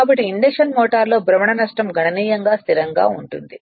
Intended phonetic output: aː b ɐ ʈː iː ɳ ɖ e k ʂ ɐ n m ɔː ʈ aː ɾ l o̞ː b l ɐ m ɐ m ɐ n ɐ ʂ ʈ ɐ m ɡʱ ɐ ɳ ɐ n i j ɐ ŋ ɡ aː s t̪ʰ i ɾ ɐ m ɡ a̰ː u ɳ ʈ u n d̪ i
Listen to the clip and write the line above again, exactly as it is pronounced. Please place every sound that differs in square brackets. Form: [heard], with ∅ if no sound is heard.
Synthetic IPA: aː b ɐ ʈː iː ɳ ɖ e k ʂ ɐ n m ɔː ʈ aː ɾ l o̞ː b [ɾ] ɐ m ɐ [ɳ] ɐ n ɐ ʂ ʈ ɐ m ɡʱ ɐ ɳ ɐ n [iː] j ɐ ŋ ɡ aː s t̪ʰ i ɾ ɐ [ŋ] ɡ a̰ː u ɳ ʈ u n d̪ i